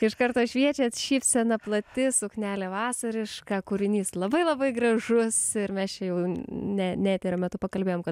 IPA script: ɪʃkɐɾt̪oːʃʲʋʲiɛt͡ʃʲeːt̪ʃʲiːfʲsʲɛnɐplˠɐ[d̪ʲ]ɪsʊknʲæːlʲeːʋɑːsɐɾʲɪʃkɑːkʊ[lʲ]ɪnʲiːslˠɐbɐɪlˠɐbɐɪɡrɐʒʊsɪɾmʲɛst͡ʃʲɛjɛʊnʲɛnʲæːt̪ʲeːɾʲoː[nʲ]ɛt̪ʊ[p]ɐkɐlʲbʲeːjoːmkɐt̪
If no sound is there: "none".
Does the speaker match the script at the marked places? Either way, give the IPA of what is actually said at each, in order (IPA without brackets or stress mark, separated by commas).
t̪ʲ, ɾʲ, mʲ, p